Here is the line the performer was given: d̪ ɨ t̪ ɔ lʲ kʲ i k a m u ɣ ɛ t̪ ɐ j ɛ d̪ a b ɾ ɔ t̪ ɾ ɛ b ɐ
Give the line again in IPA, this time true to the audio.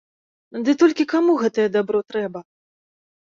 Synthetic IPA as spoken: d̪ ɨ t̪ ɔ lʲ kʲ i k a m u ɣ ɛ t̪ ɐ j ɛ d̪ a b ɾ ɔ t̪ ɾ ɛ b ɐ